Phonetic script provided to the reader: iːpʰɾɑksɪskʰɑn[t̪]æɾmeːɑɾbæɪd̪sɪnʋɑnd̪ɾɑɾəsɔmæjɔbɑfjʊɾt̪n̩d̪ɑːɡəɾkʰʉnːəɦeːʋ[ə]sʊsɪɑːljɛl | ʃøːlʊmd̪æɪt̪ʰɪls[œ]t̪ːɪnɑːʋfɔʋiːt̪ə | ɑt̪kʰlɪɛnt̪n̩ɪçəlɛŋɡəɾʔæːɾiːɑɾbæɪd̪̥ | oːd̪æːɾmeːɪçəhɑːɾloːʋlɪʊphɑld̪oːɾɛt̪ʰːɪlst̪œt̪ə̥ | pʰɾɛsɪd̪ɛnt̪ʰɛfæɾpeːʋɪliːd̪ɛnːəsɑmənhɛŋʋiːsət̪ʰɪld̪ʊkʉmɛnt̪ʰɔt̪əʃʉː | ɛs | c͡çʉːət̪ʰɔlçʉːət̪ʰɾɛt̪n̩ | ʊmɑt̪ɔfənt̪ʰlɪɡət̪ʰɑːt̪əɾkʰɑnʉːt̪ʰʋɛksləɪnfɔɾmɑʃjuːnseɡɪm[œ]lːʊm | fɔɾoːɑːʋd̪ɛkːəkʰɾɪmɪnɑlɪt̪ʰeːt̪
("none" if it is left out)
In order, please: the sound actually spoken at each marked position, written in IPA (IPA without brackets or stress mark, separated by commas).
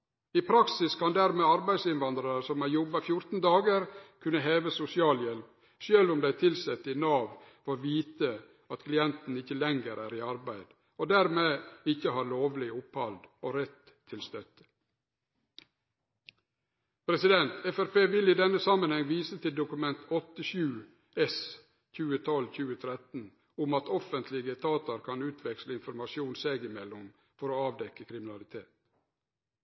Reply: d̪, ə, ɛ, ɛ